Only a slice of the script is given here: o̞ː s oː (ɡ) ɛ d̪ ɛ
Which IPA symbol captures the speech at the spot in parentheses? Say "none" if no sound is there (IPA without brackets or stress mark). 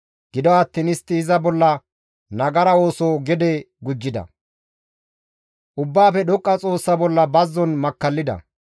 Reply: ɡ